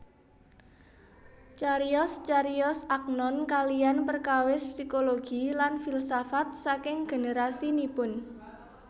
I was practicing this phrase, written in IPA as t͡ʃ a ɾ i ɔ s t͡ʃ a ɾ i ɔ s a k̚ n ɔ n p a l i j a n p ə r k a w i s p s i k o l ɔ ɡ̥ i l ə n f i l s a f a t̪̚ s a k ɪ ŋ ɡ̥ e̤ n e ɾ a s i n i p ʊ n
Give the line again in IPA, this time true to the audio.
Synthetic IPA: t͡ʃ a ɾ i ɔ s t͡ʃ a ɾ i ɔ s a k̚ n ɔ n k a l i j a n p ə r k a w ɪ s p s i k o l o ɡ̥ i l a n f i l s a f a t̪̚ s a k ɪ ŋ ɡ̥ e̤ n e ɾ a s i n i p ʊ n